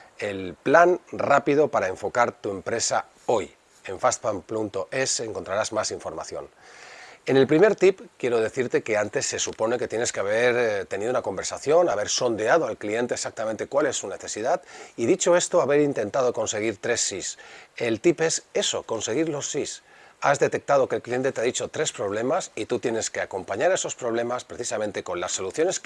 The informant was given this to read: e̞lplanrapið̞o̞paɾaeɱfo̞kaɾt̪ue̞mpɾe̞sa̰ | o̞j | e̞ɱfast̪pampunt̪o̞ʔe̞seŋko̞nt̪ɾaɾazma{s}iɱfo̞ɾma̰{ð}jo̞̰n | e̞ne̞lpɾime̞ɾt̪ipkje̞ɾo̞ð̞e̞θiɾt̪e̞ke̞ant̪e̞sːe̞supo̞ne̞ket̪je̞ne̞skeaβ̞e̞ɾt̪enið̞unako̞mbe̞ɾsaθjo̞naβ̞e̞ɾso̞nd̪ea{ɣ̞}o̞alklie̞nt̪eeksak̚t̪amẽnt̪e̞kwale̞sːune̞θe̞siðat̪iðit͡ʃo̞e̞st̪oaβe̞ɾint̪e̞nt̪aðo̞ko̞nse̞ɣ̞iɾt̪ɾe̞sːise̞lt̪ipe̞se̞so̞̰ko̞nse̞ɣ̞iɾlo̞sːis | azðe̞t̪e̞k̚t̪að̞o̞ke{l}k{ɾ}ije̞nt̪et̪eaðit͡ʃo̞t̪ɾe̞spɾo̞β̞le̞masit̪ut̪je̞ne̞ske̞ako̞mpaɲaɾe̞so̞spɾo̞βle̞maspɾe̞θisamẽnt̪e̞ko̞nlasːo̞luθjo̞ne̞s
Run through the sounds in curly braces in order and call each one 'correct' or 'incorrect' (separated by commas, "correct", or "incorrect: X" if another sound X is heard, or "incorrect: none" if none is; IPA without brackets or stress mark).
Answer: correct, incorrect: θ, incorrect: ð̞, correct, incorrect: l